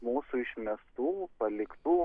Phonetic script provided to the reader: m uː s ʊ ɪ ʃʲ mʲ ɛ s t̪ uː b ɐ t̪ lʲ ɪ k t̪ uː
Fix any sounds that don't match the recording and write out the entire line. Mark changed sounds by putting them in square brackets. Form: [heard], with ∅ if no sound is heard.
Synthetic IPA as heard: m uː s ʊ ɪ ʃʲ mʲ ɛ s t̪ uː [p] ɐ [∅] lʲ ɪ k t̪ uː

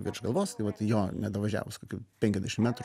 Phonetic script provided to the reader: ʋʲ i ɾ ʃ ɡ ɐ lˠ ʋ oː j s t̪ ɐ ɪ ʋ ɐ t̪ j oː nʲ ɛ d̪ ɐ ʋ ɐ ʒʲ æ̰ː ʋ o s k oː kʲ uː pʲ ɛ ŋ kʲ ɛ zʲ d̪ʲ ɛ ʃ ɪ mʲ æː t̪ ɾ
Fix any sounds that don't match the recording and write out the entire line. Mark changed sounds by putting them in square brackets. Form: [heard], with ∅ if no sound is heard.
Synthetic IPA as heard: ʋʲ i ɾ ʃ ɡ ɐ lˠ ʋ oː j s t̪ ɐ ɪ ʋ ɐ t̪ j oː nʲ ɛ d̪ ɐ ʋ ɐ ʒʲ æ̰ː ʋ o s k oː kʲ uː pʲ ɛ ŋ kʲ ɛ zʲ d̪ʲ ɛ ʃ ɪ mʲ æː t̪ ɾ

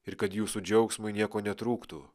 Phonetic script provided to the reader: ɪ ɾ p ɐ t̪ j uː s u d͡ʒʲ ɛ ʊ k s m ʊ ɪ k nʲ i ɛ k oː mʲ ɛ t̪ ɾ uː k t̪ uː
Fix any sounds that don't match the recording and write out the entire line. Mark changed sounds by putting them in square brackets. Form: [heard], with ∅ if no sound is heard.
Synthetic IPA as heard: ɪ ɾ [k] ɐ t̪ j uː s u d͡ʒʲ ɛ ʊ k s m ʊ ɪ [∅] nʲ i ɛ k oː [nʲ] ɛ t̪ ɾ uː k t̪ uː

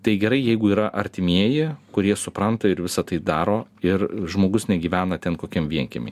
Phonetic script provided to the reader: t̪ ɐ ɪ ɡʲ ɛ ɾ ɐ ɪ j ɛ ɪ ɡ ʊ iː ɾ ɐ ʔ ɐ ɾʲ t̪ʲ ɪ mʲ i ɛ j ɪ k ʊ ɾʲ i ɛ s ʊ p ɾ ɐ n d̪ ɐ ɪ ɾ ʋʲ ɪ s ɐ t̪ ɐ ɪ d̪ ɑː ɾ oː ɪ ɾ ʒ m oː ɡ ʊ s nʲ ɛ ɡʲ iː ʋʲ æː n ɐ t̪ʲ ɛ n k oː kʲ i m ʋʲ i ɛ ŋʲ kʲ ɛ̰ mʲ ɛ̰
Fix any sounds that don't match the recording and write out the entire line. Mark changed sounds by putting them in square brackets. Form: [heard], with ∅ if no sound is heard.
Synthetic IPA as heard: t̪ ɐ ɪ ɡʲ ɛ ɾ ɐ ɪ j ɛ ɪ ɡ ʊ iː ɾ ɐ ʔ ɐ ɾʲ t̪ʲ ɪ mʲ i ɛ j ɪ k ʊ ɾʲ i ɛ s ʊ p ɾ ɐ n [t̪] ɐ ɪ ɾ ʋʲ ɪ s ɐ t̪ ɐ ɪ d̪ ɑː ɾ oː ɪ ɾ ʒ m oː ɡ ʊ s nʲ ɛ ɡʲ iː ʋʲ æː n ɐ t̪ʲ ɛ n k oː kʲ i m ʋʲ i ɛ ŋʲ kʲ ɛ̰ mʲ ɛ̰

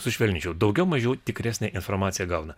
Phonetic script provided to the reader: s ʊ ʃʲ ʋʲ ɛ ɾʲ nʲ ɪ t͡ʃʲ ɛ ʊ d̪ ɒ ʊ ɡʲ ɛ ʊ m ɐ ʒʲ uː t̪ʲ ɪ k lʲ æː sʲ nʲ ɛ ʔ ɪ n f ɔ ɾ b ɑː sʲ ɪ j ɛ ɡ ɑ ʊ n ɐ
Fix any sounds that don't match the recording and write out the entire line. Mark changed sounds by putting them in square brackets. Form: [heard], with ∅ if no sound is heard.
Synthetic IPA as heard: s ʊ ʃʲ ʋʲ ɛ [lʲ] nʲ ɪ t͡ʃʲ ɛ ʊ d̪ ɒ ʊ ɡʲ ɛ ʊ m ɐ ʒʲ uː t̪ʲ ɪ k [ɾʲ] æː sʲ nʲ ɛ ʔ ɪ n f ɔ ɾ [m] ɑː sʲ ɪ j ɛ ɡ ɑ ʊ n ɐ

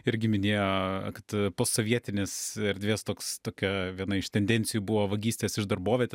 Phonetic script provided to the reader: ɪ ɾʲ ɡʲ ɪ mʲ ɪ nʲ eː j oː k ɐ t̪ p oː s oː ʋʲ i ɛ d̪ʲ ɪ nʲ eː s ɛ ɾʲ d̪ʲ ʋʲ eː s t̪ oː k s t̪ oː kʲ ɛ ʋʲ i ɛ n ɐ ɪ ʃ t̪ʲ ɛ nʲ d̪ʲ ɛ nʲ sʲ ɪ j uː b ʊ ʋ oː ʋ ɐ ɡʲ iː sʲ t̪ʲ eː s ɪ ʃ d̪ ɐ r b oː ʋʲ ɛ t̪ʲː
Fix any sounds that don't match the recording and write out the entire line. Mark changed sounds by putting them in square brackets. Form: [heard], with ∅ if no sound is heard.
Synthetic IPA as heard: ɪ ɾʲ ɡʲ ɪ mʲ ɪ nʲ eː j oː k ɐ t̪ p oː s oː ʋʲ i ɛ [t̪ʲ] ɪ nʲ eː s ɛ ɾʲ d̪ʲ ʋʲ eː s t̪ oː k s t̪ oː kʲ ɛ ʋʲ i ɛ n ɐ ɪ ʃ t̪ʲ ɛ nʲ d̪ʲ ɛ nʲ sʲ ɪ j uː b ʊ ʋ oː ʋ ɐ ɡʲ iː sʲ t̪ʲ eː s ɪ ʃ d̪ ɐ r b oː ʋʲ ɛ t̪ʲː

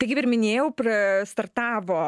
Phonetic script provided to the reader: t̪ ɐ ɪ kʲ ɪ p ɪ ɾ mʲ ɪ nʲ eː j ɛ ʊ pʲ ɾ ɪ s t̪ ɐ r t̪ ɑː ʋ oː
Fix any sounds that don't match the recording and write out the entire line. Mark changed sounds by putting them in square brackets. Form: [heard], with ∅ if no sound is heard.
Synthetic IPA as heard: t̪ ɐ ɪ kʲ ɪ p ɪ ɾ mʲ ɪ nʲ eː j ɛ ʊ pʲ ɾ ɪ s t̪ ɐ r t̪ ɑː ʋ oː

